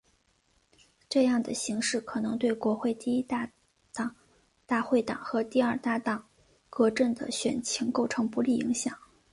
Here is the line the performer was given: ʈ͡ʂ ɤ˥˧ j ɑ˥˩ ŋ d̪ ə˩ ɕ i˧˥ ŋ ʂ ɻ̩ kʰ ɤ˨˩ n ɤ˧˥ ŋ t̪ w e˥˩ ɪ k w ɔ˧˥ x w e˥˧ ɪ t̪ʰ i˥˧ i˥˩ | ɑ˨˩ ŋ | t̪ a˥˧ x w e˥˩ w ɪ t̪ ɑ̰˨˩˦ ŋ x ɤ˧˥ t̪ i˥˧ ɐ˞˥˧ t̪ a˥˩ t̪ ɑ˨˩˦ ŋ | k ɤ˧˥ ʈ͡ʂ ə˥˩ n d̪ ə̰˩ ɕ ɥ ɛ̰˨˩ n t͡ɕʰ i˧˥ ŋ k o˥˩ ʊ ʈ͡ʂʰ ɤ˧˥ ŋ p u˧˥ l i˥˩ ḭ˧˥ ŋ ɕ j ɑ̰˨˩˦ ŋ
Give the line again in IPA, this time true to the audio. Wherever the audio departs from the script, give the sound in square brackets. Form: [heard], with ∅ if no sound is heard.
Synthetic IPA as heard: ʈ͡ʂ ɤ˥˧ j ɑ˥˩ ŋ d̪ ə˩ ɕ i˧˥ ŋ ʂ ɻ̩ kʰ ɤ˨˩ n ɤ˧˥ ŋ t̪ w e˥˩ ɪ k w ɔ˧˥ x w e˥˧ ɪ [t̪] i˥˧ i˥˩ | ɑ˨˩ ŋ | t̪ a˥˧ x w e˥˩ [∅] ɪ t̪ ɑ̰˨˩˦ ŋ x ɤ˧˥ t̪ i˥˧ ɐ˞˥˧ t̪ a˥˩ t̪ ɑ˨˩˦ ŋ | k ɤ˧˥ ʈ͡ʂ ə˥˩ n d̪ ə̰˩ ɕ ɥ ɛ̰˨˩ n t͡ɕʰ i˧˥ ŋ k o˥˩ ʊ ʈ͡ʂʰ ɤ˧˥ ŋ p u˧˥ l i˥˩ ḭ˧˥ ŋ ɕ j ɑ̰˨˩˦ ŋ